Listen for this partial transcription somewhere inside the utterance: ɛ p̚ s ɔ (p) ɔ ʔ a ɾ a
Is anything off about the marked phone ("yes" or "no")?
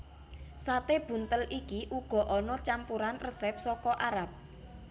yes